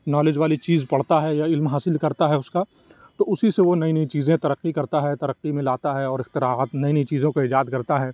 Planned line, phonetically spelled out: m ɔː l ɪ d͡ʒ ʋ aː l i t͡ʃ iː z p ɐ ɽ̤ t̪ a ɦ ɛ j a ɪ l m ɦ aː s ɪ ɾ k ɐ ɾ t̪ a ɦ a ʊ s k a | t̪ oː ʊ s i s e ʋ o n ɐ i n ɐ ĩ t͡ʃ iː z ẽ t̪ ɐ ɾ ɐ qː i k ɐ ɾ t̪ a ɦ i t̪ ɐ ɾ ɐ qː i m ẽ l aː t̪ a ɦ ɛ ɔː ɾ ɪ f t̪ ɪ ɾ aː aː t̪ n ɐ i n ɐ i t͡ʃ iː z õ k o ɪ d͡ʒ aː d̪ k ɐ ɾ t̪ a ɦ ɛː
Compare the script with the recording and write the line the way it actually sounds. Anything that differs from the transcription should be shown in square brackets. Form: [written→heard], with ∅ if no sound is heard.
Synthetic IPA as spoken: [m→n] ɔː l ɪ d͡ʒ ʋ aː l i t͡ʃ iː z p ɐ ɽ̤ t̪ a ɦ ɛ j a ɪ l m ɦ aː s ɪ [ɾ→l] k ɐ ɾ t̪ a ɦ [a→ɛ] ʊ s k a | t̪ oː ʊ s i s e ʋ o n ɐ i n ɐ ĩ t͡ʃ iː z ẽ t̪ ɐ ɾ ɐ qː i k ɐ ɾ t̪ a ɦ [i→ɛ] t̪ ɐ ɾ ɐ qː i m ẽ l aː t̪ a ɦ ɛ ɔː ɾ ɪ [f→x] t̪ ɪ ɾ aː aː t̪ n ɐ i n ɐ i t͡ʃ iː z õ k o ɪ d͡ʒ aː d̪ k ɐ ɾ t̪ a ɦ ɛː

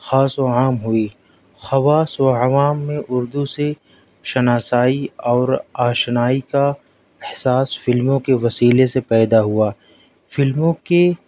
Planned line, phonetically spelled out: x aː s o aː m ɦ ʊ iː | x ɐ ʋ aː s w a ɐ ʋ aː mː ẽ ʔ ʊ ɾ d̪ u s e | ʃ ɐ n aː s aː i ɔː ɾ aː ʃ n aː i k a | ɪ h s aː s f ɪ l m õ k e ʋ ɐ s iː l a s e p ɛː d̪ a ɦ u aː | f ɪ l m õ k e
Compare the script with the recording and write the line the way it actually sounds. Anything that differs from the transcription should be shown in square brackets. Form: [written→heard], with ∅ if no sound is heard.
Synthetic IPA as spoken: x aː s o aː m ɦ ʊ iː | x ɐ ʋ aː s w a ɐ ʋ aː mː ẽ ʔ ʊ ɾ d̪ u s e | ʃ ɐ n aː s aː i ɔː ɾ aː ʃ n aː i k a | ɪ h s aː s f ɪ l m õ k e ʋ ɐ s iː l [a→e] s e p ɛː d̪ a ɦ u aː | f ɪ l m õ k e

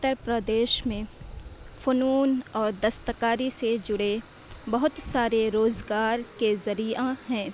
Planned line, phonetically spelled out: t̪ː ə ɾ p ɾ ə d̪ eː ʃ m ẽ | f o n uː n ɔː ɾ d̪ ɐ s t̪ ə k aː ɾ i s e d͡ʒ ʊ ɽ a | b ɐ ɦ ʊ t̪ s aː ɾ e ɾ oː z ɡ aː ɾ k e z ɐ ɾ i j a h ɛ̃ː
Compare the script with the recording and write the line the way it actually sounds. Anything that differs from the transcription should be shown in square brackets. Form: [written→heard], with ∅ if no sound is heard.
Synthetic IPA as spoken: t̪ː ə ɾ p ɾ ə d̪ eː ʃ m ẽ | f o n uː n ɔː ɾ d̪ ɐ s t̪ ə k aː ɾ i s e d͡ʒ ʊ ɽ [a→e] | b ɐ ɦ ʊ t̪ s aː ɾ e ɾ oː z ɡ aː ɾ k e z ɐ ɾ i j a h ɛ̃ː

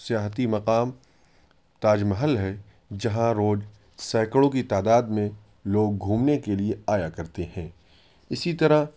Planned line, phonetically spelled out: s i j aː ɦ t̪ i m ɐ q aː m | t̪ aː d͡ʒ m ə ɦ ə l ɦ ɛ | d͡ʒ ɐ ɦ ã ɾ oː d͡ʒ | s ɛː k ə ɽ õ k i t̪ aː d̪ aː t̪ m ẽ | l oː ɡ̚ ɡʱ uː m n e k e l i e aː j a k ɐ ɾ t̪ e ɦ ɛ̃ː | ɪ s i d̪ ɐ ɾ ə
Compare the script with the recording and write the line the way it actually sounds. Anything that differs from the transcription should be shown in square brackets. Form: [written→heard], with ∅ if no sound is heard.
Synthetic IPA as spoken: s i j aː ɦ t̪ i m ɐ q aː m | t̪ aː d͡ʒ m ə ɦ ə l ɦ ɛ | d͡ʒ ɐ ɦ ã ɾ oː d͡ʒ | s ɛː k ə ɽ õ k i t̪ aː d̪ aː [t̪→d̪] m ẽ | l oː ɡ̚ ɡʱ uː m n e k e l i e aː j a k ɐ ɾ t̪ e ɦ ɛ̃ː | ɪ s i [d̪→t̪] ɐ ɾ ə

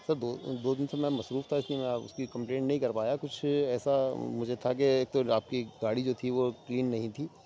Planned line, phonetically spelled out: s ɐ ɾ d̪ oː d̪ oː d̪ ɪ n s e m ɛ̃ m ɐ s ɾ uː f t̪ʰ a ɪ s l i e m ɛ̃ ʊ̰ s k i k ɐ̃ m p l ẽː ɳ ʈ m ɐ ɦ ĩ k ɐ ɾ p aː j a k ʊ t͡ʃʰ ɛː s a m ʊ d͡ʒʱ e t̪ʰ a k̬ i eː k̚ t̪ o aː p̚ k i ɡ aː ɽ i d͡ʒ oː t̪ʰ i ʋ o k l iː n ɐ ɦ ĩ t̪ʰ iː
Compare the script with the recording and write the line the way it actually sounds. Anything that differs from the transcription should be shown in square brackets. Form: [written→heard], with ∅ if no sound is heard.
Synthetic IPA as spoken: s ɐ ɾ d̪ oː d̪ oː d̪ ɪ n s e m ɛ̃ m ɐ s ɾ uː f t̪ʰ a ɪ s l i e m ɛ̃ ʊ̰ s k i k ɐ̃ m p l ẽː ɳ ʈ [m→n] ɐ ɦ ĩ k ɐ ɾ p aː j a k ʊ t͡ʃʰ ɛː s a m ʊ d͡ʒʱ e t̪ʰ a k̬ [i→e] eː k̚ t̪ o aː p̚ k i ɡ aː ɽ i d͡ʒ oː t̪ʰ i ʋ o k l iː [n→nː] ɐ ɦ ĩ t̪ʰ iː

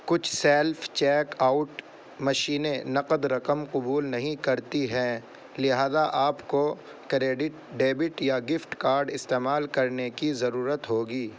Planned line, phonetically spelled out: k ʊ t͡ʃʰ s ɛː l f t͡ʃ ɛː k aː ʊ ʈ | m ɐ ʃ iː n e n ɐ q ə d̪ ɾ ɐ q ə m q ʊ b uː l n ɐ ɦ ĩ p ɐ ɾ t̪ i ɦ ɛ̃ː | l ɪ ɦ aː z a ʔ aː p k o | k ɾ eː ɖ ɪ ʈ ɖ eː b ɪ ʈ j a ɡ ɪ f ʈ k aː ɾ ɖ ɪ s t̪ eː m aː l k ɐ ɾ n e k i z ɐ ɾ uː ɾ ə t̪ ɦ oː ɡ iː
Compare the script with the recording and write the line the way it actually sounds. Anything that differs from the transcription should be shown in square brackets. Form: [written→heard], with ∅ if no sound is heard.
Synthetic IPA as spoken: k ʊ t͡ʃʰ s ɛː l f t͡ʃ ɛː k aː ʊ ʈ | m ɐ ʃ iː n e n ɐ q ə d̪ ɾ ɐ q ə m q ʊ b uː l n ɐ ɦ ĩ [p→k] ɐ ɾ t̪ i ɦ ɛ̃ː | l ɪ ɦ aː z a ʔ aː p k o | k ɾ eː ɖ ɪ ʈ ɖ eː b ɪ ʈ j a ɡ ɪ f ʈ k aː ɾ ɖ ɪ s t̪ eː m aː l k ɐ ɾ n e k i z ɐ ɾ uː ɾ ə t̪ ɦ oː ɡ iː

